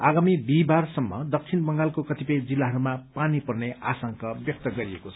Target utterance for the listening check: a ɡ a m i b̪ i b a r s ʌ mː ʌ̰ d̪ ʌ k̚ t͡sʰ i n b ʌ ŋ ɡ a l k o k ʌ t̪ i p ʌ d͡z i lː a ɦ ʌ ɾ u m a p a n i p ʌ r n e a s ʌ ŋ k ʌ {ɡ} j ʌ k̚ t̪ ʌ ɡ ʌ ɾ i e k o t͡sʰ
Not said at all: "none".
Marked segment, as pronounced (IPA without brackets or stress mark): b